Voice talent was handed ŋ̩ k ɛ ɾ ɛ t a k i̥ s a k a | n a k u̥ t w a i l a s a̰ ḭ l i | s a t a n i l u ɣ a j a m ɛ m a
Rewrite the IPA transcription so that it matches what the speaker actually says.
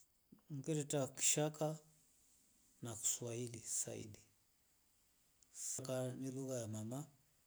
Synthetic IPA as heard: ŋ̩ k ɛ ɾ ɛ t a k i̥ ʃ a k a | n a k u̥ s w a i l i s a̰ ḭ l i | s a k a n i l u ɣ a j a m a m a